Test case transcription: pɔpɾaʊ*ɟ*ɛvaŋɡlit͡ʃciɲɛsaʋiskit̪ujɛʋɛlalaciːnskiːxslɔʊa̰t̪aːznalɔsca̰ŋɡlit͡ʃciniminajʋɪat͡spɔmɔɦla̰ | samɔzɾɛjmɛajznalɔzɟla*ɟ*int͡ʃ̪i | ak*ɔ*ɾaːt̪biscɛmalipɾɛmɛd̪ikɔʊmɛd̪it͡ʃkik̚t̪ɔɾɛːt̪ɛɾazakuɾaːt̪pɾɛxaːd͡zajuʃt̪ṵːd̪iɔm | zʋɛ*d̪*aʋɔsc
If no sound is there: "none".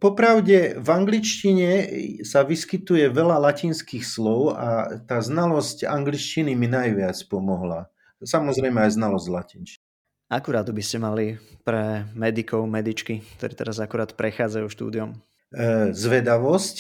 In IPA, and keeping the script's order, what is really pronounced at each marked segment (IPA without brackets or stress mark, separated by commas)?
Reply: ɟ, c, u, d̪